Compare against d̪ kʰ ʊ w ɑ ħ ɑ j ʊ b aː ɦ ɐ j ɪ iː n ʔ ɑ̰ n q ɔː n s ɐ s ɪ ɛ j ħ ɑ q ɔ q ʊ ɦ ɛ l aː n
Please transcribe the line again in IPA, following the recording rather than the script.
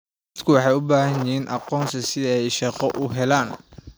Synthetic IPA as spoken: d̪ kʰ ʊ w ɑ ħ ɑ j ʊ b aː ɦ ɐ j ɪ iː n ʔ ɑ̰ q ɔː n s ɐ s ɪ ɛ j ʃ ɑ q ɔ ʔ ʊ ɦ ɛ l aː n